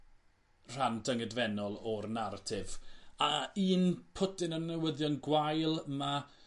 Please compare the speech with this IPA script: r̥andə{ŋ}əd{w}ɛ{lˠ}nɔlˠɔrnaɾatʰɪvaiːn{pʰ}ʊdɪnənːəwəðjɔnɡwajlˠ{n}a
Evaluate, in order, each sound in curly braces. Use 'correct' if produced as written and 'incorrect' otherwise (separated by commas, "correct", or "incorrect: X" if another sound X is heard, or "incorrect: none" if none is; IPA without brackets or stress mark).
correct, incorrect: v, incorrect: none, correct, incorrect: m